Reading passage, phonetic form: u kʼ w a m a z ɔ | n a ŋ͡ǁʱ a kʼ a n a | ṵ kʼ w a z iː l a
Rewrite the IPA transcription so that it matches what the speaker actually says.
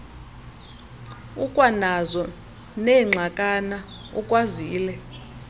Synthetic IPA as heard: u kʼ w a n a z ɔ | n ɛ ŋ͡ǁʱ a kʼ a n a | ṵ kʼ w a z iː l ɛ